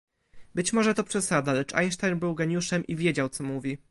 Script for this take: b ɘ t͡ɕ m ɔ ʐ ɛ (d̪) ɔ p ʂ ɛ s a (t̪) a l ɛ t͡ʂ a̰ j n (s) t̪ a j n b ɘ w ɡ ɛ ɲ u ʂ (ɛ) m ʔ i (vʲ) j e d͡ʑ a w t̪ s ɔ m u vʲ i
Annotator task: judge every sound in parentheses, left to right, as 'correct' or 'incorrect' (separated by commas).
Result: incorrect, incorrect, incorrect, correct, correct